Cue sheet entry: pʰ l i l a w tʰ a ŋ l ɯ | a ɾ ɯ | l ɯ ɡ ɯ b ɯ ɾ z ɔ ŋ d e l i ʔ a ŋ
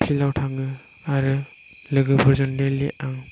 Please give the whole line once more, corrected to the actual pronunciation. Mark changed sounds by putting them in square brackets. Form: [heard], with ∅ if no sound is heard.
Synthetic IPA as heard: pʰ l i l a w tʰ a [m] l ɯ | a ɾ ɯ | l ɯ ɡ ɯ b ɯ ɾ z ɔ [n] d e l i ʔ a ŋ